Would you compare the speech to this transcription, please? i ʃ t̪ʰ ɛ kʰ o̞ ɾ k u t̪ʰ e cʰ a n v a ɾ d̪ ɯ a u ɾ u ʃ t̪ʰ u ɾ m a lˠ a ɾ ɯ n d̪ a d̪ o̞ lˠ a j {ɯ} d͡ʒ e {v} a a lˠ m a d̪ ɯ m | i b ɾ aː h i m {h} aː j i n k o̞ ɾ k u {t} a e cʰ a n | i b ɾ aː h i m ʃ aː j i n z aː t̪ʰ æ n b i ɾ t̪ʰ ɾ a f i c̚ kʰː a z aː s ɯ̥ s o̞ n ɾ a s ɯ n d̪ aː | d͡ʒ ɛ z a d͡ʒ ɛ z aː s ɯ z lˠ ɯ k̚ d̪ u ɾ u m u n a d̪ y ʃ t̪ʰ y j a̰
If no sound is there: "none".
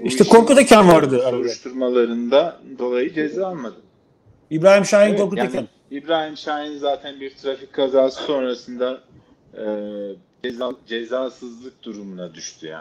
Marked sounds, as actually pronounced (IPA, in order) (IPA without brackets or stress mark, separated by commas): ɯ, z, ʃ, t